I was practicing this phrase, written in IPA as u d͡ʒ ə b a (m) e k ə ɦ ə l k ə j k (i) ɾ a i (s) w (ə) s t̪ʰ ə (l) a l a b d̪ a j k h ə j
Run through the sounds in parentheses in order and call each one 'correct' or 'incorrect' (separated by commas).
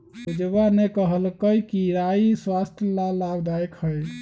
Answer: incorrect, correct, correct, incorrect, correct